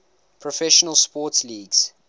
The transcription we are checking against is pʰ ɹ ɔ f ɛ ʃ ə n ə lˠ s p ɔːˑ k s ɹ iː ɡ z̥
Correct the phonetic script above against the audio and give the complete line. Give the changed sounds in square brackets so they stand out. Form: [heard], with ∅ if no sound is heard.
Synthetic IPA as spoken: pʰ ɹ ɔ f ɛ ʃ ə n ə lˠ s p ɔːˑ [t] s [l] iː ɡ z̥